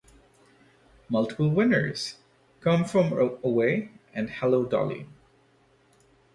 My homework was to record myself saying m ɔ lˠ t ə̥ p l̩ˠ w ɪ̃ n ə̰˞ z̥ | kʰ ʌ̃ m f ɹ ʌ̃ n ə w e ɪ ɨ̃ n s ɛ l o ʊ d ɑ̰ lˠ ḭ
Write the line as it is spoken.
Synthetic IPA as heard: m ʌ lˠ t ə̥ p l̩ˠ w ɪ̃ n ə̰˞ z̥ | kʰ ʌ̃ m f ɹ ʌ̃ m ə w e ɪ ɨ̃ n h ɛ l o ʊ d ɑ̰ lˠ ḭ